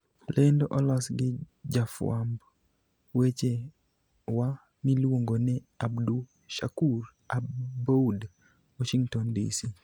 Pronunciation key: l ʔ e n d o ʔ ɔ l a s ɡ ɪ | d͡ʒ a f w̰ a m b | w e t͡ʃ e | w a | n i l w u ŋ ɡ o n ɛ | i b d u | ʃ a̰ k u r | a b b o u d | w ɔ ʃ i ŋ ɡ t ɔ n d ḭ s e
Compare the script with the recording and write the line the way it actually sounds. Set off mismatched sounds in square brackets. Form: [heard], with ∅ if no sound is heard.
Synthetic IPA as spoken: l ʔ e n d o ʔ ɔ l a s ɡ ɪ | d͡ʒ a f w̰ a m b | w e t͡ʃ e | w a | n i l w [o] ŋ ɡ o n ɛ | [a] b d u | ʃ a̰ k u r | a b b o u d | w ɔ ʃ i ŋ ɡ t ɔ n d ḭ s [i]